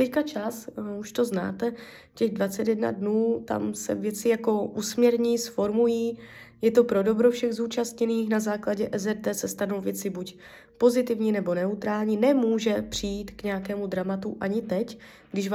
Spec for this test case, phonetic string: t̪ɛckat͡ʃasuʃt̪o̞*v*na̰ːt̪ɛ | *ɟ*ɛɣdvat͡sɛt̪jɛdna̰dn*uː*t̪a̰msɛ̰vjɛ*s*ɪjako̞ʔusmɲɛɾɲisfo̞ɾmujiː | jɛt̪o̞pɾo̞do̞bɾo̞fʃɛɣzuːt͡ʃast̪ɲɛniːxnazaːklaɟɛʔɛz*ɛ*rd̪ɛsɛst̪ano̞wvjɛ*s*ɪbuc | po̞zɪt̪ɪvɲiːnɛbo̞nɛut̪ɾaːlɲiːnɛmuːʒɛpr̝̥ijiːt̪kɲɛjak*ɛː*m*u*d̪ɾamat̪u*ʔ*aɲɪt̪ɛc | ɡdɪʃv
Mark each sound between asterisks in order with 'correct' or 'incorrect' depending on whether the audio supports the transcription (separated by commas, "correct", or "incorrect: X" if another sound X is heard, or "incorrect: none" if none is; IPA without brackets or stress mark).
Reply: incorrect: z, incorrect: c, correct, incorrect: t͡s, correct, incorrect: t͡s, correct, correct, correct